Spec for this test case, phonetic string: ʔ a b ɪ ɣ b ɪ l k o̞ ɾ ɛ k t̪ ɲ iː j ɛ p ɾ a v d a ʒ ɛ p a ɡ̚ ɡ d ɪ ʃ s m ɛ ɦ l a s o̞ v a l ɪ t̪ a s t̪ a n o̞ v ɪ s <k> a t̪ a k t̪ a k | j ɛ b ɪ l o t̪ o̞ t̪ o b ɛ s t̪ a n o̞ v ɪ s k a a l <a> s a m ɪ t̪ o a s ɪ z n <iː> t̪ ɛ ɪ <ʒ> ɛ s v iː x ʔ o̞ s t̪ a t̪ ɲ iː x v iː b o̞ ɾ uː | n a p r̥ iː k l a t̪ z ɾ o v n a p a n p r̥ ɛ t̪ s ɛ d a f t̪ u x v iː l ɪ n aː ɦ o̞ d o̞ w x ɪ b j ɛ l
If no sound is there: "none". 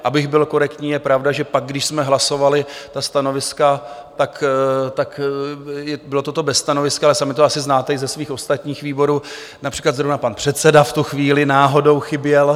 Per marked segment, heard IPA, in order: k, ɛ, aː, z

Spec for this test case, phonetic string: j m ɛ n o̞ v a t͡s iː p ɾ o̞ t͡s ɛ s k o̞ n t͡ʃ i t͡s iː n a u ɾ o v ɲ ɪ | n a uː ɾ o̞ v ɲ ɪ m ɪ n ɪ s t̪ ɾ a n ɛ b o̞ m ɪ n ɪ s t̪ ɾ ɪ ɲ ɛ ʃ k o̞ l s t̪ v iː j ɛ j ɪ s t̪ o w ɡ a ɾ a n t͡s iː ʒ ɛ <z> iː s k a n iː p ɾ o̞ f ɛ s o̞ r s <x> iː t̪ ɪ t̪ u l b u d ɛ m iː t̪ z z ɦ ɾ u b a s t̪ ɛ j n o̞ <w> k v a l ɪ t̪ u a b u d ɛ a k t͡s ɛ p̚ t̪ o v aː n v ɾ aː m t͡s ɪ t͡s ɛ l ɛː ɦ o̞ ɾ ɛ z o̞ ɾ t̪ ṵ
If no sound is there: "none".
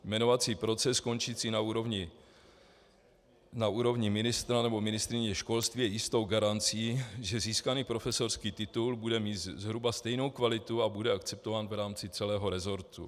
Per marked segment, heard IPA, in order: z, k, w

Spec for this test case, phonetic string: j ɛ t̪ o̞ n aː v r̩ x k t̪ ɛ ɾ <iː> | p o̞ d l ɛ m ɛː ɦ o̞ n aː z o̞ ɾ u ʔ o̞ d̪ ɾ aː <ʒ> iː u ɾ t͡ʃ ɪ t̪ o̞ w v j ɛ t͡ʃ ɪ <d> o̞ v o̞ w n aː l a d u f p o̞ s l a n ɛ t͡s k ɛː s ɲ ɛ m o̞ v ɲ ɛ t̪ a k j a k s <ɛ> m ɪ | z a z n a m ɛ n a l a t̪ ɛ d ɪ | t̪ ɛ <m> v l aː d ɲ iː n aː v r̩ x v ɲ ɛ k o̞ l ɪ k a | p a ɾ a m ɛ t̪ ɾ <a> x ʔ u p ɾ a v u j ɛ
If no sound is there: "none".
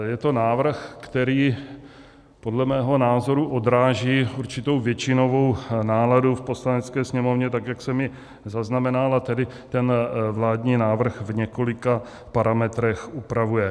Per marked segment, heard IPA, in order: iː, ʒ, n, ɛ, n, ɛ

